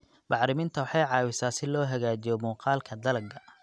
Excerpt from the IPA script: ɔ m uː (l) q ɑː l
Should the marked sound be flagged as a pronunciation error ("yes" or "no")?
yes